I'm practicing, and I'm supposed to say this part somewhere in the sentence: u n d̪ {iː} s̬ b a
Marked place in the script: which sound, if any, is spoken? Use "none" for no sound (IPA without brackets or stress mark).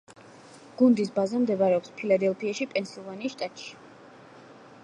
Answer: i